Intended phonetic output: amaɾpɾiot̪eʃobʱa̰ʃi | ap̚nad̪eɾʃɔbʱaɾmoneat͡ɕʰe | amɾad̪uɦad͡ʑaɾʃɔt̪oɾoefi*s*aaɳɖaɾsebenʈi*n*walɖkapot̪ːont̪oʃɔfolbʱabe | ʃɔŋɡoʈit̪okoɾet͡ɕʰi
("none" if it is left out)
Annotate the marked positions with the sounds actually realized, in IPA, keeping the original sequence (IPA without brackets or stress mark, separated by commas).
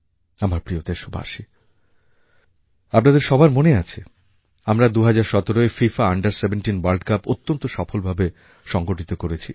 f, n